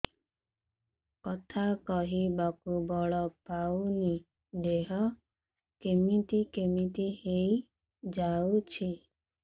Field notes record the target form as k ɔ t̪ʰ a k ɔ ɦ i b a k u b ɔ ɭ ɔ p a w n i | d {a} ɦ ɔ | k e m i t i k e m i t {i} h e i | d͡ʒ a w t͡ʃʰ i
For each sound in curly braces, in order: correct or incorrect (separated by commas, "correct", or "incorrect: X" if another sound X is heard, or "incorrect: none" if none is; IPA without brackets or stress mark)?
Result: incorrect: e, correct